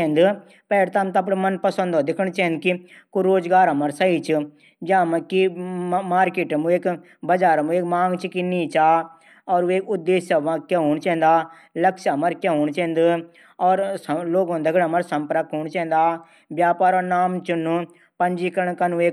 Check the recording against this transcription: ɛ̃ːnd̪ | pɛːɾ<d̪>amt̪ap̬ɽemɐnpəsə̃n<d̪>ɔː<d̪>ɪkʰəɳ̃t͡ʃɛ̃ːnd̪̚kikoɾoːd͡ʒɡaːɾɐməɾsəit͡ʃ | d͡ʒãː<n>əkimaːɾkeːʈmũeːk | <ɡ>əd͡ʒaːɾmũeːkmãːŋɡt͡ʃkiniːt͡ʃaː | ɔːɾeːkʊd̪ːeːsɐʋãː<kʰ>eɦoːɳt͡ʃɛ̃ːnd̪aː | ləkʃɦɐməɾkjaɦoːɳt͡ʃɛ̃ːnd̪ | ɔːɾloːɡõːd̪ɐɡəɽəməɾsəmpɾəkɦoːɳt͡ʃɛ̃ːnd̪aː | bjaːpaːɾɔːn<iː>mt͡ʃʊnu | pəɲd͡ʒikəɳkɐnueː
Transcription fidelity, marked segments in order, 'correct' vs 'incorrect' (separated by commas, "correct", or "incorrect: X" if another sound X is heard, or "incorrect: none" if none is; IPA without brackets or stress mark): incorrect: t̪, correct, correct, incorrect: m, incorrect: b, incorrect: k, incorrect: aː